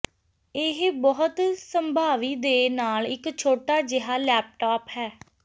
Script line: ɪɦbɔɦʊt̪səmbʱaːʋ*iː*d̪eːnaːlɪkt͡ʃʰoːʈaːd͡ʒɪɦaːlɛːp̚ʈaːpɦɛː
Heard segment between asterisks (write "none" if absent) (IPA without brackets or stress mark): iː